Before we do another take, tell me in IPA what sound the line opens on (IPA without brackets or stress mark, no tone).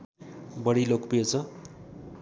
b